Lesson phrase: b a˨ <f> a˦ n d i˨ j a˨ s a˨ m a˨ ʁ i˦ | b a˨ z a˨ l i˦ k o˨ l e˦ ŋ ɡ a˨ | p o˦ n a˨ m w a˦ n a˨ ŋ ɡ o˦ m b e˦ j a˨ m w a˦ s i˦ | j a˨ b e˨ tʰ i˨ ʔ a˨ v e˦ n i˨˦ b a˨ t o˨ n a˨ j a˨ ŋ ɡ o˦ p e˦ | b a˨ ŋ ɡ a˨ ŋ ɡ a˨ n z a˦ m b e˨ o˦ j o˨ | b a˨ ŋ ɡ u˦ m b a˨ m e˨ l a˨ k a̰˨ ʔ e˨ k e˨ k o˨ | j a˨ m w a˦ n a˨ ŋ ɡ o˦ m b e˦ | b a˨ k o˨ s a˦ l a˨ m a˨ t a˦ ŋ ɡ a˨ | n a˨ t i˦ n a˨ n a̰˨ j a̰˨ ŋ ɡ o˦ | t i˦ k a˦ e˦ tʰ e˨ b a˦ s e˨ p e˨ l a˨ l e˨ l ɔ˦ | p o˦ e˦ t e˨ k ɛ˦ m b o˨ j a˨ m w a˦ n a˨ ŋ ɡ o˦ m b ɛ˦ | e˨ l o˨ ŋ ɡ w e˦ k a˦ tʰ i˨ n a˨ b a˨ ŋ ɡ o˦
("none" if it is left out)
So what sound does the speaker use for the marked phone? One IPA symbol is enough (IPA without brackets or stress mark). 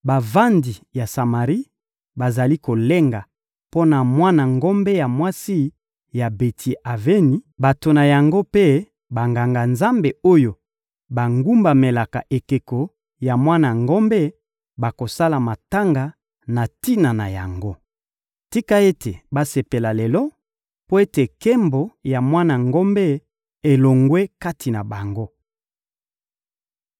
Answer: v